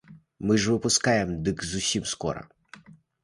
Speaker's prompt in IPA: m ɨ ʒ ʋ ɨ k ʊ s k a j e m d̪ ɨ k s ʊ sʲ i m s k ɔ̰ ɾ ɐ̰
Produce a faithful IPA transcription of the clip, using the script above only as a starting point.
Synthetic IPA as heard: m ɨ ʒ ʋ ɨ p ʊ s k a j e m d̪ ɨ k z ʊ sʲ i m s k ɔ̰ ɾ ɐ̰